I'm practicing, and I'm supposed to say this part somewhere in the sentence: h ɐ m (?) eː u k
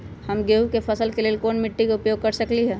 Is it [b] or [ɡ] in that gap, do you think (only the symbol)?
ɡ